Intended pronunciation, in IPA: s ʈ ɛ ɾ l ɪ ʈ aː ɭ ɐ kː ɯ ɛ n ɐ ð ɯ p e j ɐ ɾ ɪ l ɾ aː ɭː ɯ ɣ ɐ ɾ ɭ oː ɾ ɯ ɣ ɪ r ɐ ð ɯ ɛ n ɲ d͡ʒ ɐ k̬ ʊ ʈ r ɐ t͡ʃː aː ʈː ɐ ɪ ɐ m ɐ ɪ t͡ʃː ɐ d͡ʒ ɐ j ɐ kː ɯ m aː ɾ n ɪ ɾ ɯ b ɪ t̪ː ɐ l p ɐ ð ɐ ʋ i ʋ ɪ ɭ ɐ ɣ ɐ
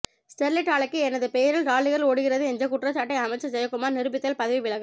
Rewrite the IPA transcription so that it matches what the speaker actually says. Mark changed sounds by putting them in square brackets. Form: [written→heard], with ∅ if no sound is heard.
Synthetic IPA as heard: s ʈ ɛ ɾ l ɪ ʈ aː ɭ ɐ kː ɯ ɛ n ɐ ð ɯ p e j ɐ ɾ ɪ l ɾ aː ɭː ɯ ɣ ɐ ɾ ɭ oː [ɾ→ɽ] ɯ ɣ ɪ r ɐ ð ɯ ɛ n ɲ d͡ʒ ɐ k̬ ʊ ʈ r ɐ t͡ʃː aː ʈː ɐ ɪ ɐ m ɐ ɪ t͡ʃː ɐ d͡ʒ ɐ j ɐ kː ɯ m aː ɾ n ɪ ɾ ɯ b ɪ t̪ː ɐ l p ɐ ð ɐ ʋ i ʋ ɪ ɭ ɐ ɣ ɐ